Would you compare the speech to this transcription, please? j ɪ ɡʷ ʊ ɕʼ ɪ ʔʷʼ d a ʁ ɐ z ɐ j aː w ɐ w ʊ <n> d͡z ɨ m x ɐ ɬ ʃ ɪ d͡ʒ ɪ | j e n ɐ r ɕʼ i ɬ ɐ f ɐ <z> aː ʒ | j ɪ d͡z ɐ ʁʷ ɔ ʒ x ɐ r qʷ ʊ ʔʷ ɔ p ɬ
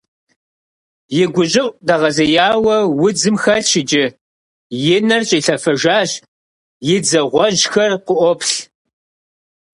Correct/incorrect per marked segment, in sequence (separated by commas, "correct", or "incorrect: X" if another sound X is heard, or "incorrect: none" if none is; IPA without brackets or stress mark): incorrect: none, incorrect: ʒ